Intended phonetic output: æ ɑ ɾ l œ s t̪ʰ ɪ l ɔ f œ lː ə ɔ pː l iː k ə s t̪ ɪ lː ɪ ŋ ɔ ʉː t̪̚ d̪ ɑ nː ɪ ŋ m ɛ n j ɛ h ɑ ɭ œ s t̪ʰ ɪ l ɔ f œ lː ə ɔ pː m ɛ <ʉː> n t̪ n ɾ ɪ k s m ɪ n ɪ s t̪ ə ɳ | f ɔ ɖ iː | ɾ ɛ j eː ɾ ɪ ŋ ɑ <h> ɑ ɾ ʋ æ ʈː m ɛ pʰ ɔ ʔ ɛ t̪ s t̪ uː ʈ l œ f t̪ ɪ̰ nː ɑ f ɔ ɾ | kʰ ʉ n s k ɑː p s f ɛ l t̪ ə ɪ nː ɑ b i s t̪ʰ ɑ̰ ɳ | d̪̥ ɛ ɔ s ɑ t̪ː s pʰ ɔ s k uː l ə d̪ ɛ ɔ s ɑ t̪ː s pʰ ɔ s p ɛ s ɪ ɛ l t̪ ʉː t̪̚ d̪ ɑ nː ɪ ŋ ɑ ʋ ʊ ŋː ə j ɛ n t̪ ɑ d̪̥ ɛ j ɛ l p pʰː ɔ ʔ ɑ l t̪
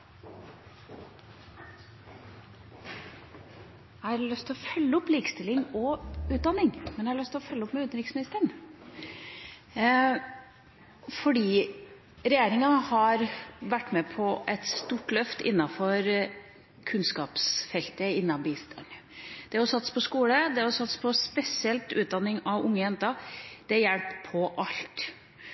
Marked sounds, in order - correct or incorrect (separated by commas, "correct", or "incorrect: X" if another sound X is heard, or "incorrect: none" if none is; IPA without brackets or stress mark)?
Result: incorrect: ʉ, correct